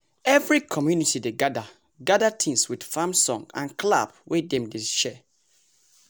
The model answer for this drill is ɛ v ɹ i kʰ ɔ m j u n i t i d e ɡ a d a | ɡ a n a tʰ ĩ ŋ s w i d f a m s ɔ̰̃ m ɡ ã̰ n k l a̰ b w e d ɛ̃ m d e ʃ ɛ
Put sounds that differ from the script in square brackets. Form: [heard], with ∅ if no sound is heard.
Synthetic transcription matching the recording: ɛ v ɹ i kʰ ɔ m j u n i t i d e ɡ a d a | ɡ a [d] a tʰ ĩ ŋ s w i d f a m s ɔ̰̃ [ŋ] ɡ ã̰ n k l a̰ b w e d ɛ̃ m d e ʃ ɛ